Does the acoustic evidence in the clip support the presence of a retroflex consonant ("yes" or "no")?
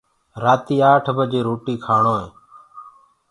yes